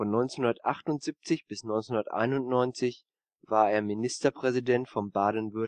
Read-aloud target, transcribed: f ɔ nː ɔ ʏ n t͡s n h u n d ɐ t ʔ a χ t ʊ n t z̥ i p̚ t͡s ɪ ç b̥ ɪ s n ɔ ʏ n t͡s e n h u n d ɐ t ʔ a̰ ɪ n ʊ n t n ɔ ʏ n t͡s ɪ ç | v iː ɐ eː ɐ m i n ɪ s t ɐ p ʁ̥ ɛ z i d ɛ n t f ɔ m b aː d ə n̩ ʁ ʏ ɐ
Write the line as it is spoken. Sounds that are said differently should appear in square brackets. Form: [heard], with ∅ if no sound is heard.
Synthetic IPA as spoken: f ɔ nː ɔ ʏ n t͡s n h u n d ɐ t ʔ a χ t ʊ n t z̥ i p̚ t͡s ɪ ç b̥ ɪ s n ɔ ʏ n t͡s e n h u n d ɐ t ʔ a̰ ɪ n ʊ n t n ɔ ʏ n t͡s ɪ ç | v [aː] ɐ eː ɐ m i n ɪ s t ɐ p ʁ̥ ɛ z i d ɛ n t f ɔ m b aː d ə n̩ [v] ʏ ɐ